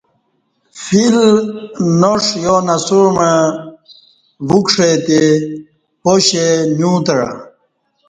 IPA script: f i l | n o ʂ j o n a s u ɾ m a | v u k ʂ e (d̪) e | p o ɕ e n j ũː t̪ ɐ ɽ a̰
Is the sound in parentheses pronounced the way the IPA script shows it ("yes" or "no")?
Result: no